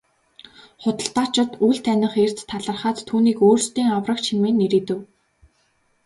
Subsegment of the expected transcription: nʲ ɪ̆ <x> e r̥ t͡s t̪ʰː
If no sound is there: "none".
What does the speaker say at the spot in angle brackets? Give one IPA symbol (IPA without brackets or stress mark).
χ